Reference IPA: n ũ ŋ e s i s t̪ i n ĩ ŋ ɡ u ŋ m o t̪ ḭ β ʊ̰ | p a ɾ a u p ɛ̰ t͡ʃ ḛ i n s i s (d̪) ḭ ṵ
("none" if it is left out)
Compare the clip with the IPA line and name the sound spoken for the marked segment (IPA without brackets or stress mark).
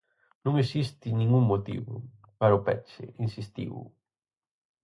t̪